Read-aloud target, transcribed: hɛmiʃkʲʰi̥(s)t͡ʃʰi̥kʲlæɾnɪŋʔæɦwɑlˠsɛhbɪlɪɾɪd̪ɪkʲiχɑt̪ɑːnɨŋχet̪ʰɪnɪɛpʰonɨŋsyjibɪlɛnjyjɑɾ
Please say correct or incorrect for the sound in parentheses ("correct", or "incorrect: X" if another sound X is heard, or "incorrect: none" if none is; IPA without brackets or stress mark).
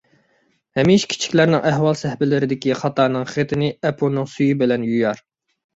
incorrect: none